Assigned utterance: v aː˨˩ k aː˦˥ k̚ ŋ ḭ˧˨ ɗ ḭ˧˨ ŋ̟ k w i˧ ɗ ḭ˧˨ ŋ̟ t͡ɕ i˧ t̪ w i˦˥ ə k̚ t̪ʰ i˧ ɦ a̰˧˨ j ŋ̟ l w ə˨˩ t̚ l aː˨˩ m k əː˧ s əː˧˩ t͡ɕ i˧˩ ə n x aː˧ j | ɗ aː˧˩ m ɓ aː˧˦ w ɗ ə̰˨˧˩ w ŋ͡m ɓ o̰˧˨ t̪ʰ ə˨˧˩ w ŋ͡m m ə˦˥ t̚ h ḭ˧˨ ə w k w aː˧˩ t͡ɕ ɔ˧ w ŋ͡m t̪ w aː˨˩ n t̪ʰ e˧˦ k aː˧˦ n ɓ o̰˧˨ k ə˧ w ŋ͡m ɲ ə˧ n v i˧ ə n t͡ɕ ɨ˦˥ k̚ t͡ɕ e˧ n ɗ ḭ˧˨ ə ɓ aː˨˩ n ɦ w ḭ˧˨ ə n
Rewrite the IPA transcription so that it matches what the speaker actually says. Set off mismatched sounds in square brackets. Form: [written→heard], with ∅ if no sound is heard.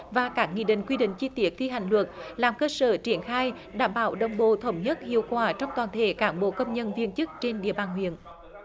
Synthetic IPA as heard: v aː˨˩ k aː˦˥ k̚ ŋ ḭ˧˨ ɗ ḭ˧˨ ŋ̟ k w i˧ ɗ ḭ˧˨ ŋ̟ t͡ɕ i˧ t̪ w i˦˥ ə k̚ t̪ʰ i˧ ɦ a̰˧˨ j ŋ̟ l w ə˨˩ t̚ l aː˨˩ m k əː˧ s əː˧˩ t͡ɕ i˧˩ ə n x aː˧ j | ɗ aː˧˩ m ɓ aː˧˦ w ɗ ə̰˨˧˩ w ŋ͡m ɓ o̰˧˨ t̪ʰ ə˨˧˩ w ŋ͡m [m→ɲ] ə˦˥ t̚ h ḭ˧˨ ə w k w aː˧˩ t͡ɕ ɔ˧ w ŋ͡m t̪ w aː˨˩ n t̪ʰ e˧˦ k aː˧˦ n ɓ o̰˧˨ k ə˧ w ŋ͡m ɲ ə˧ n v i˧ ə n t͡ɕ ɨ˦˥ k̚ t͡ɕ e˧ n ɗ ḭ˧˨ ə ɓ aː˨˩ n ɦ w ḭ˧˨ ə n